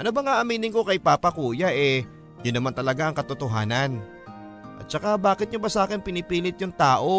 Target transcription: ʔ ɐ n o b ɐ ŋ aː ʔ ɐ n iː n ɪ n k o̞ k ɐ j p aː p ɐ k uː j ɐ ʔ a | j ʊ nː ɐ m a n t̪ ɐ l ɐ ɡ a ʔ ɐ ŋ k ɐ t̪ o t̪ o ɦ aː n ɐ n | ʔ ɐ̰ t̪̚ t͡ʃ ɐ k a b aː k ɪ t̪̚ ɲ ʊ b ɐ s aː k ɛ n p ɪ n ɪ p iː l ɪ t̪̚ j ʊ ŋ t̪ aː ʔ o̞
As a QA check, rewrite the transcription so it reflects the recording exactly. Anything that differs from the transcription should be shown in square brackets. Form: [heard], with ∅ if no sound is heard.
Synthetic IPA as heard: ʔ ɐ n o b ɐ ŋ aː ʔ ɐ [m] iː n ɪ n k o̞ k ɐ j p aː p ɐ k uː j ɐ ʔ [ɛ] | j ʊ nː ɐ m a n t̪ ɐ l ɐ ɡ a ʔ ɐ ŋ k ɐ t̪ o t̪ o ɦ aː n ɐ n | ʔ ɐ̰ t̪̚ t͡ʃ ɐ k a b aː k ɪ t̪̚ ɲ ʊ b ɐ s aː k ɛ n p ɪ n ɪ p iː l ɪ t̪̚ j ʊ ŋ t̪ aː ʔ o̞